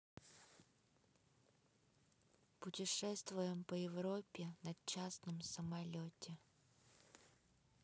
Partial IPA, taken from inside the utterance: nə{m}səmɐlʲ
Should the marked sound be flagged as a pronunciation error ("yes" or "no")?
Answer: no